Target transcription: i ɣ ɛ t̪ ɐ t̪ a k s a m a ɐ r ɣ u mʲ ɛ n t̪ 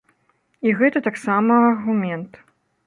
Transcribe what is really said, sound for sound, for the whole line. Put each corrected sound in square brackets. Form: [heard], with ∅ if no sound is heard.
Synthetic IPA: i ɣ ɛ t̪ ɐ t̪ a k s a m [ɐ] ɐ r ɣ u mʲ ɛ n t̪